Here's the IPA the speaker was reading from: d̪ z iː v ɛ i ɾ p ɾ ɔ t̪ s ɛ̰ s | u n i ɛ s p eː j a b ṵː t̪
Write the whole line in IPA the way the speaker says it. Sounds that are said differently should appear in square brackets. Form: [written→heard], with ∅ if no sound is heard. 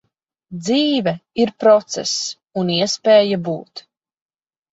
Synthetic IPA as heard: d̪ z iː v ɛ i ɾ p ɾ ɔ t̪ s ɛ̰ s | u n i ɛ s p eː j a b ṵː t̪

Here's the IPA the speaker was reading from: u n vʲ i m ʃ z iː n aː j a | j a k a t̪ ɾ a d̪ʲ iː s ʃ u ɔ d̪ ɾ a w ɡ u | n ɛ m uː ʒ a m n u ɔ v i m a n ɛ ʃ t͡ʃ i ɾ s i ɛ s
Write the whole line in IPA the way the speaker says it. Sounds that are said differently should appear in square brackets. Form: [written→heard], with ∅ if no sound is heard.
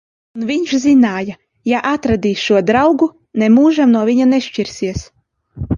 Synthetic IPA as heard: u n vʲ i [m→ɲ] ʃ z [iː→i] n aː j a | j a [k→ʔ] a t̪ ɾ a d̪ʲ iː s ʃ u ɔ d̪ ɾ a w ɡ u | n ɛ m uː ʒ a m n u ɔ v i [m→ɲ] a n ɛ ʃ t͡ʃ i ɾ s i ɛ s

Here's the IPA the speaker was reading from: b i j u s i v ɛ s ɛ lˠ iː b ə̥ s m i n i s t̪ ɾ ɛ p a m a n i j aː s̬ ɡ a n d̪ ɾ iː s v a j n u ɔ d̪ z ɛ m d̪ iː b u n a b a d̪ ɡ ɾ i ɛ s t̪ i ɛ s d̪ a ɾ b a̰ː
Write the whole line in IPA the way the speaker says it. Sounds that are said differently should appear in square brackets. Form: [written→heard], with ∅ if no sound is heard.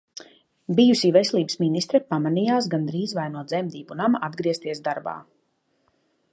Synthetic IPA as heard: b i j u s i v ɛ s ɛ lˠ iː b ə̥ s m i n i s t̪ ɾ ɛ p a m a n i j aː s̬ ɡ a n d̪ ɾ iː [s→z] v a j n u ɔ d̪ z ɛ m d̪ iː b u n a [b→m] a d̪ ɡ ɾ i ɛ s t̪ i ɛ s d̪ a ɾ b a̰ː

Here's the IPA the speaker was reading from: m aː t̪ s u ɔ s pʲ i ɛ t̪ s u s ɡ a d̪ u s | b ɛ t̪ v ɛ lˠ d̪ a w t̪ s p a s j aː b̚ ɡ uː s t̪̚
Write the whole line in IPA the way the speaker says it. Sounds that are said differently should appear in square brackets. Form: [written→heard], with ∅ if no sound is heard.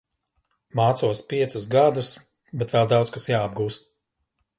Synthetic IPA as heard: m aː t̪ s u ɔ s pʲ i ɛ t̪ s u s ɡ a d̪ u s | b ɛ t̪ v ɛ lˠ d̪ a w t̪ s [p→k] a s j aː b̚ ɡ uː s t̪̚

